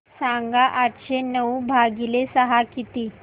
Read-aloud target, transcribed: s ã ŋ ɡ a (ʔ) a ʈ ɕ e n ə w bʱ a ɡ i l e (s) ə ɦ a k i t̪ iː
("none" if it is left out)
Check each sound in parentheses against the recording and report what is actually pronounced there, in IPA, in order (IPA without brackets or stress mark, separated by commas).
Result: ʔ, s